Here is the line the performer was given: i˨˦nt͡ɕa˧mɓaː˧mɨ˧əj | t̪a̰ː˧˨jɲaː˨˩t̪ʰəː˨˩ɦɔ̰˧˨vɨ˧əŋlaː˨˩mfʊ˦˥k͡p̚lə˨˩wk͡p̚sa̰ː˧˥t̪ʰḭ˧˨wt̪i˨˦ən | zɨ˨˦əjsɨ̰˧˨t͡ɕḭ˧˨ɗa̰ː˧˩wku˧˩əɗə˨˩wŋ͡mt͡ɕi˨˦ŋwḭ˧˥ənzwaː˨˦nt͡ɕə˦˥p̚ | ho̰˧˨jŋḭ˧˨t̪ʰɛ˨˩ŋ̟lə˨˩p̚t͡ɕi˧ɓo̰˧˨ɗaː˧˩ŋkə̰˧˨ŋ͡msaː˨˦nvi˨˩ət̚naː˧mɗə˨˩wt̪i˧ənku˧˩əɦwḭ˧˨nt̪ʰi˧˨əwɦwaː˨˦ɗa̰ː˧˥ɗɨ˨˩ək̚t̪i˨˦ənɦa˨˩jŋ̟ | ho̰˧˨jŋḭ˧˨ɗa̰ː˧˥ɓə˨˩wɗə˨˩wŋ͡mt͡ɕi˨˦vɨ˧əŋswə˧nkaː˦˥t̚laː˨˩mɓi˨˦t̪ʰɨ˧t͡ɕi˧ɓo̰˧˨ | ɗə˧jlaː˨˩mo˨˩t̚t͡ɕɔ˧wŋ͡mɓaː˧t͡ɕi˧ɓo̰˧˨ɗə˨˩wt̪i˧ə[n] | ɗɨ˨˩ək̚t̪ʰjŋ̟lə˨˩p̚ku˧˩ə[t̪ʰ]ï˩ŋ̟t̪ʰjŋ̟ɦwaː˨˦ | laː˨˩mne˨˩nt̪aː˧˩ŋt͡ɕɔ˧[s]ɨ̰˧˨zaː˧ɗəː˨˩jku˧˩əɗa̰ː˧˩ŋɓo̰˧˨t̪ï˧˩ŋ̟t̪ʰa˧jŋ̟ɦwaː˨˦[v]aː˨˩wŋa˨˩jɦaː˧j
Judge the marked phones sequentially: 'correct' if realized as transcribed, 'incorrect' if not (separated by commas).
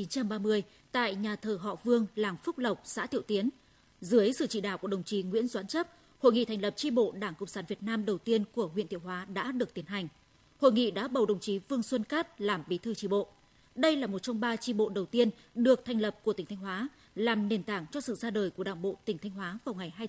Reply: correct, incorrect, correct, correct